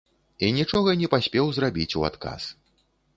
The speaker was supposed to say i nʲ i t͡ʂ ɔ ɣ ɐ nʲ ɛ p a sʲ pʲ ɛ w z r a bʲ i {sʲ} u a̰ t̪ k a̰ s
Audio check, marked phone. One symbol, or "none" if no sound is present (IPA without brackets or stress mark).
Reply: t͡sʲ